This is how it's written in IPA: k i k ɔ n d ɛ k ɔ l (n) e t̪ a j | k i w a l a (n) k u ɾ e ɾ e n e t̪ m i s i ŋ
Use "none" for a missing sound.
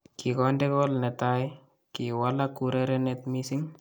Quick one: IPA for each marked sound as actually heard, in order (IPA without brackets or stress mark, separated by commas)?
n, none